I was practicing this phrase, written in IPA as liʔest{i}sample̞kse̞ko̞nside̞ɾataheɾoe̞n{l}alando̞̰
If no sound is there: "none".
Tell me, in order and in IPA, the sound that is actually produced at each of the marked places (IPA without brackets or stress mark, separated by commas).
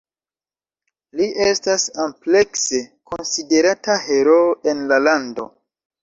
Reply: a, l